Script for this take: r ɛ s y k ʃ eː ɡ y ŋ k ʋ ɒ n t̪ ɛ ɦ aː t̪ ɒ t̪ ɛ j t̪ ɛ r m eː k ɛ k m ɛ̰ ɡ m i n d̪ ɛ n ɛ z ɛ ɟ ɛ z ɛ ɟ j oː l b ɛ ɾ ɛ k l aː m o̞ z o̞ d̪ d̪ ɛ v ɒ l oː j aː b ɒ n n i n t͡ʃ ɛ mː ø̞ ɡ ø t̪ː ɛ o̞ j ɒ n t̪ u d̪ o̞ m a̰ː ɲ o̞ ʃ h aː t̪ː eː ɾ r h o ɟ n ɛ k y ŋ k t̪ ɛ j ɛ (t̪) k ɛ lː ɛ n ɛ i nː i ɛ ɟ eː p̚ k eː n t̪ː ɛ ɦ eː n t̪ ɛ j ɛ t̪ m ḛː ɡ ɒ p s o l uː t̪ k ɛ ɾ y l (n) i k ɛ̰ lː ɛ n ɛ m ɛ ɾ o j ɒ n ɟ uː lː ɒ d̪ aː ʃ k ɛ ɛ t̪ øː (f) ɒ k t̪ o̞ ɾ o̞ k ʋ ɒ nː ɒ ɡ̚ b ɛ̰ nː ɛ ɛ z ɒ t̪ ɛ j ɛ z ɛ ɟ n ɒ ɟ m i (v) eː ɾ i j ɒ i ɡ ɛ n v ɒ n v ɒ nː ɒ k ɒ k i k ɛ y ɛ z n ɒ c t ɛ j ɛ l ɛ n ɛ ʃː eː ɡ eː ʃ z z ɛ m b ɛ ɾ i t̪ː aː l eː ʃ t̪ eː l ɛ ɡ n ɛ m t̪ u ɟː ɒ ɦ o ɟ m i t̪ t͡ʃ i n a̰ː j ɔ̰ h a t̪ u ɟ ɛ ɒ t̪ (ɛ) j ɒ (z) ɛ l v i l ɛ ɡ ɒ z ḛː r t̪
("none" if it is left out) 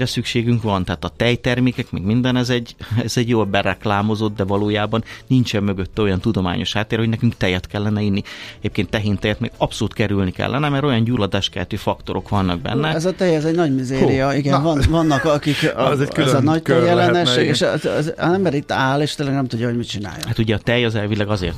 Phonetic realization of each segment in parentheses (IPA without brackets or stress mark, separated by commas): t̪, n, f, z, ɛ, z